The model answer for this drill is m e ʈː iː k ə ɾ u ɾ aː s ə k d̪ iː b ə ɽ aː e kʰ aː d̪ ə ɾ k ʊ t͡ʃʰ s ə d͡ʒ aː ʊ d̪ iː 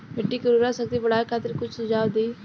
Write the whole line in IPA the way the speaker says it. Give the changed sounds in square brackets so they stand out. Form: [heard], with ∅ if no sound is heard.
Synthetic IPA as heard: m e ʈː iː k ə ɾ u ɾ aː s ə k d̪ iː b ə ɽ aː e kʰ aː [t̪] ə ɾ k ʊ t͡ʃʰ s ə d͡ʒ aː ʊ d̪ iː